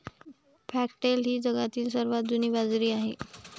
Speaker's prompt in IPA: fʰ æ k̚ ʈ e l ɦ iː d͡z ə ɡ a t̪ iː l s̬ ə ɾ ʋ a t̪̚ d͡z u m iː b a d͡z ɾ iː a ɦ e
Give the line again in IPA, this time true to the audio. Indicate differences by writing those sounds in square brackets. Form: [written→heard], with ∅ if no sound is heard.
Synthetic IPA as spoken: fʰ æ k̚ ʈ e l ɦ iː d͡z ə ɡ a t̪ iː l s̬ ə ɾ ʋ a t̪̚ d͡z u [m→n] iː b a d͡z ɾ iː a ɦ e